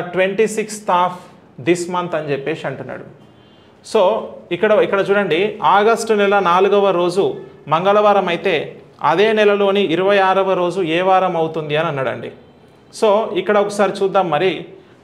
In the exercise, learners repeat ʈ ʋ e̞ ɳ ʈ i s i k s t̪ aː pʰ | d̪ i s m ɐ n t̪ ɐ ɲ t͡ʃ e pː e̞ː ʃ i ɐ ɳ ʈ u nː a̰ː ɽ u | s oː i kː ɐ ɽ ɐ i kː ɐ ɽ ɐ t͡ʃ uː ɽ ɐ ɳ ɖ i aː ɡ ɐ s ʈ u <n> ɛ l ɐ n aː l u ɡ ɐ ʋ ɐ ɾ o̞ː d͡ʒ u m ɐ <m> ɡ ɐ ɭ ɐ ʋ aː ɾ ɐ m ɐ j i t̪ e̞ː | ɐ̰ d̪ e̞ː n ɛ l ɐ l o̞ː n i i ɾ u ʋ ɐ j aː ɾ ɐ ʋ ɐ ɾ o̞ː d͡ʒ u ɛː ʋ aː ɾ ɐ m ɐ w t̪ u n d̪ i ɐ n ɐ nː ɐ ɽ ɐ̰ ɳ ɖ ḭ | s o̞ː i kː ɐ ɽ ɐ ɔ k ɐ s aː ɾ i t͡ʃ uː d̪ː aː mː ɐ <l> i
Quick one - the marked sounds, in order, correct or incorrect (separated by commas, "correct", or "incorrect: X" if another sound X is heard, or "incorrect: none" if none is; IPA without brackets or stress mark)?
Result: correct, incorrect: ŋ, incorrect: ɾ